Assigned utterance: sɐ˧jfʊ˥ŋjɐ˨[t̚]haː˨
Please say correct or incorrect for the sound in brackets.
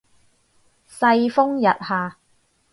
correct